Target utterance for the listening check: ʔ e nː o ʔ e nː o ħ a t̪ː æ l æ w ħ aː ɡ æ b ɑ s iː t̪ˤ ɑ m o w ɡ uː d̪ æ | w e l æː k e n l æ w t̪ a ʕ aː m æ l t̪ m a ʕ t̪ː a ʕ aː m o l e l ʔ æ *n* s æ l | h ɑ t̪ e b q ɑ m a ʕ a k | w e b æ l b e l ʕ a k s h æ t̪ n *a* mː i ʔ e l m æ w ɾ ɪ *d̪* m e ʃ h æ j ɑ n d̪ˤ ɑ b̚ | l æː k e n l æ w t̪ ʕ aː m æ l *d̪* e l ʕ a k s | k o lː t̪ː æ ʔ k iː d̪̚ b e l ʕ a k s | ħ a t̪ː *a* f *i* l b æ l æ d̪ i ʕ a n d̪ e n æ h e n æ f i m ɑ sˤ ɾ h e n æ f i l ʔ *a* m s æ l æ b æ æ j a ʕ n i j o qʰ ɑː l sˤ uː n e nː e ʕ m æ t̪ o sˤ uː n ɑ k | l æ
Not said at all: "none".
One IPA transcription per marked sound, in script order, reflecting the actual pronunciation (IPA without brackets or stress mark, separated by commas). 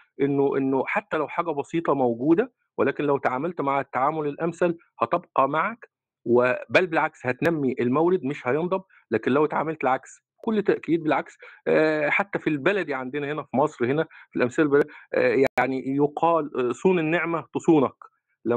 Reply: m, æ, d̪, t̪, æ, i, æ